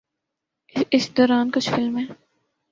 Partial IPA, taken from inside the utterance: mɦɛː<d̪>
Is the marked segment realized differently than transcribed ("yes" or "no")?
yes